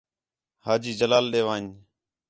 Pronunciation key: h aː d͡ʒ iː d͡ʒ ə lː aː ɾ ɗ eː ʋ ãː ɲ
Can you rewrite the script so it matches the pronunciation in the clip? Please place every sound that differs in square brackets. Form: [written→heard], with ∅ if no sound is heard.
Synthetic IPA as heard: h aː d͡ʒ iː d͡ʒ ə [lː→l] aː [ɾ→l] ɗ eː ʋ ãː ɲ